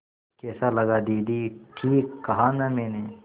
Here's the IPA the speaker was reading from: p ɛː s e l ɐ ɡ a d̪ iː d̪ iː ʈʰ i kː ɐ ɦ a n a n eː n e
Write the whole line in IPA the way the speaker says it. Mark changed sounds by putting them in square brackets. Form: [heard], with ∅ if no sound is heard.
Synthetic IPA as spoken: [k] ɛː s [a] l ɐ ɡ a d̪ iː d̪ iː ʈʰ [iː] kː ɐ ɦ a n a [m] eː n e